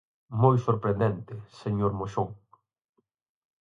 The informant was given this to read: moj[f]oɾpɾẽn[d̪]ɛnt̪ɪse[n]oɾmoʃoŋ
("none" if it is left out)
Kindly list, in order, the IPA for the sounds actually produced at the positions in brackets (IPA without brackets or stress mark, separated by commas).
s, d̪, ɲ